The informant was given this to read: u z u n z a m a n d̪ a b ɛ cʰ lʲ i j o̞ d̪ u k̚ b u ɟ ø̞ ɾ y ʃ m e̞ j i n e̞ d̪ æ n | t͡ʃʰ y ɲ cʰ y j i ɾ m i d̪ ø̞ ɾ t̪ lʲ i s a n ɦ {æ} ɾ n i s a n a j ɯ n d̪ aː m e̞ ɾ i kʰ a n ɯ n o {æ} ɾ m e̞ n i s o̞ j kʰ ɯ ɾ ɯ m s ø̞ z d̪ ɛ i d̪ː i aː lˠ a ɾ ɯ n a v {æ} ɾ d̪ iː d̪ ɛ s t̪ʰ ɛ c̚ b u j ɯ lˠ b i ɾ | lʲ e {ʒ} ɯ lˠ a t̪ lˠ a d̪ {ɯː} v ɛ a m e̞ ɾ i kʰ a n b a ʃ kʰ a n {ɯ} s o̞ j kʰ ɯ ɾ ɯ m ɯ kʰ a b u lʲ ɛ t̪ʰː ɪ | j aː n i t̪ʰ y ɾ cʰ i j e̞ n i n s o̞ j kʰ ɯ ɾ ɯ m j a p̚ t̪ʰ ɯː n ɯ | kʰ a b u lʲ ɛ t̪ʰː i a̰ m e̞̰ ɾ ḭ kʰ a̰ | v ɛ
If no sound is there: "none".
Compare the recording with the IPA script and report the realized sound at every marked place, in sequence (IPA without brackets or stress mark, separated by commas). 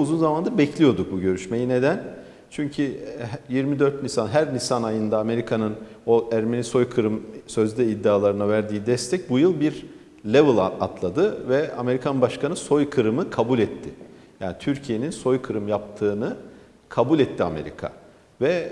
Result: æ, æ, æ, v, ɯ, ɯ